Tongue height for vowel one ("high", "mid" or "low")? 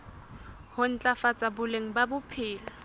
high